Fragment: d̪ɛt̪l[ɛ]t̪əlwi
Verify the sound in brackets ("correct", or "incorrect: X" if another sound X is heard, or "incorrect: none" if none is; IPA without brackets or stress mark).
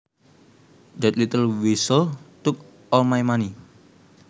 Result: incorrect: i